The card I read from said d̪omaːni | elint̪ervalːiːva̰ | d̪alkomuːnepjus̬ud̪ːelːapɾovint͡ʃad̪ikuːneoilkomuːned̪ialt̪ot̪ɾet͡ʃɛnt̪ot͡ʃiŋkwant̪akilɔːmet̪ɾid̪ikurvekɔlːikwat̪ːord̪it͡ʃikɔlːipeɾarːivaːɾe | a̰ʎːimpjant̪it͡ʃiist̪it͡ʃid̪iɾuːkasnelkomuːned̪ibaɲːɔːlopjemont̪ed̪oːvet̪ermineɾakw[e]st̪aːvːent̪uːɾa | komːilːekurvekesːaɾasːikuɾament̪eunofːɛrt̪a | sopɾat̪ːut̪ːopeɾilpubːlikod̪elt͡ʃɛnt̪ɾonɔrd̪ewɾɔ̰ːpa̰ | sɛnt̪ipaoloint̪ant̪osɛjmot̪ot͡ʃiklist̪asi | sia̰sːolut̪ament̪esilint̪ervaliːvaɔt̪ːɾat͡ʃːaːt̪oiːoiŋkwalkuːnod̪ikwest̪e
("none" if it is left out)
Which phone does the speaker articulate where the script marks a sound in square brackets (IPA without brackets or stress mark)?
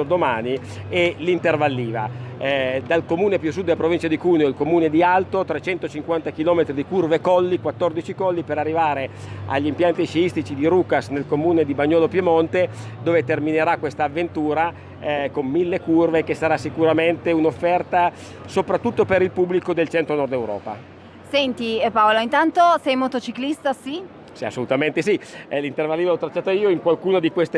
e